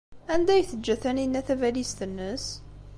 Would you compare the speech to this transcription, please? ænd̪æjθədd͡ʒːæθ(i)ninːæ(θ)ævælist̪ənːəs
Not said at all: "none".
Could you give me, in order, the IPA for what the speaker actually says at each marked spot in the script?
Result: æ, θ

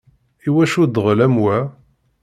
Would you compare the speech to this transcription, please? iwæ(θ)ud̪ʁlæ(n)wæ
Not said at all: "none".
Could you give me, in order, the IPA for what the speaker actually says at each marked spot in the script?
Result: ʃ, m

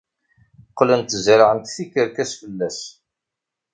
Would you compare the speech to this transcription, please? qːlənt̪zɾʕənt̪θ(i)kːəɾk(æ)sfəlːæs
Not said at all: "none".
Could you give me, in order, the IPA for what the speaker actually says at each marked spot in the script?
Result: i, æ

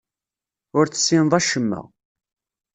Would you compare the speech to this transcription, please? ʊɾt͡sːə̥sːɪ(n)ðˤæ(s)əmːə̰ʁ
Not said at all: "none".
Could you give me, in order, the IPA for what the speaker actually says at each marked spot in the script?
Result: n, ʃ

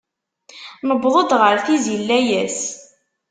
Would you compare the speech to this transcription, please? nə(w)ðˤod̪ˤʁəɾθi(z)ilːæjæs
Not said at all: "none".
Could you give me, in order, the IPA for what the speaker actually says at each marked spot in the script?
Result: b, z

